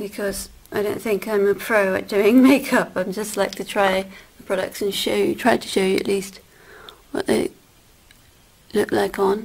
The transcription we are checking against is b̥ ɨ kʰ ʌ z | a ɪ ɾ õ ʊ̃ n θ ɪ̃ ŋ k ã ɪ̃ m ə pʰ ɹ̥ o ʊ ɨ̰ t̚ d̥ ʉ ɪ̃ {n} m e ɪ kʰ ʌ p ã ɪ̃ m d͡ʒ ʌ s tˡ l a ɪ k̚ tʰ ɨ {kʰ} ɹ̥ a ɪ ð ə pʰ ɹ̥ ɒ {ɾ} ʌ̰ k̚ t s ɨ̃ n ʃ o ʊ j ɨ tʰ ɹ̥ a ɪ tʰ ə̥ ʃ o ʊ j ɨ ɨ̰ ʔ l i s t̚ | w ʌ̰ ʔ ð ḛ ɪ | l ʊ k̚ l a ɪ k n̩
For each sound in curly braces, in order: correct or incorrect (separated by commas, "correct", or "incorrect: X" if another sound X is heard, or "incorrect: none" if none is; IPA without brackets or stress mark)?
incorrect: ŋ, incorrect: tʰ, correct